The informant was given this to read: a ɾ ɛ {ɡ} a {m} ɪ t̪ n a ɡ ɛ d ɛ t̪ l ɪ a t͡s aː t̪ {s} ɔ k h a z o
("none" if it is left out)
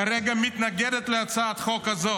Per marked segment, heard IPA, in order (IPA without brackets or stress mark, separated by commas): ɡ, m, χ